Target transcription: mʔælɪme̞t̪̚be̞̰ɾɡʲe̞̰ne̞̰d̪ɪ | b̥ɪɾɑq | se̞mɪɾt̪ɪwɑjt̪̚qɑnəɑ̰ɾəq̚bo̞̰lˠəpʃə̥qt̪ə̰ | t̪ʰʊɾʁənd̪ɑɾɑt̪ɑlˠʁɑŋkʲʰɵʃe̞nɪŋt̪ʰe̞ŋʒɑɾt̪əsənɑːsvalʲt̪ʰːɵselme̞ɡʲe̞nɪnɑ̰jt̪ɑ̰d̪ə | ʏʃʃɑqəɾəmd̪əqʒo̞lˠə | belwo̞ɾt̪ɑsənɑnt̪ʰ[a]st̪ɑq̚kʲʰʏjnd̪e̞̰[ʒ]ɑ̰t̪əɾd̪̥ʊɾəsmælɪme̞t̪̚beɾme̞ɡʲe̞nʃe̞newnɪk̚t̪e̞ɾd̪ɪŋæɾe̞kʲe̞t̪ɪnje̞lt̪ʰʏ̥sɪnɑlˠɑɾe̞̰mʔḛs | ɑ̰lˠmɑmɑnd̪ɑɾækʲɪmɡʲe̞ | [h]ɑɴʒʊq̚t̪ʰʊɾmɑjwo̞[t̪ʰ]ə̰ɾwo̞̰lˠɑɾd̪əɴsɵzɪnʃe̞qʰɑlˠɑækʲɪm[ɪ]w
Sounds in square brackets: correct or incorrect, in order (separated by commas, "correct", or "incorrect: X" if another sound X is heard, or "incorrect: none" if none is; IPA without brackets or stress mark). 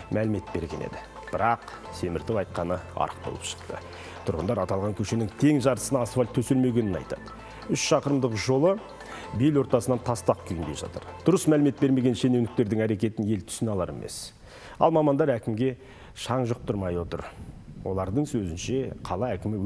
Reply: incorrect: ɑ, correct, incorrect: ʃ, incorrect: t̪, correct